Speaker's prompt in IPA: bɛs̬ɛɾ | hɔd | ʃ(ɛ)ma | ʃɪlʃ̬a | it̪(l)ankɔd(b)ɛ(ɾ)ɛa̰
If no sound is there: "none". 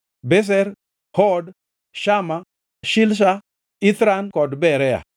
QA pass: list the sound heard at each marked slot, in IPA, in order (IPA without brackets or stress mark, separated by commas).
a, ɾ, b, ɾ